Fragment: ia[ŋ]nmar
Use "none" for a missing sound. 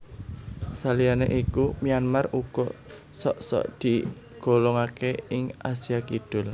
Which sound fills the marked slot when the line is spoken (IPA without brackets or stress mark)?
none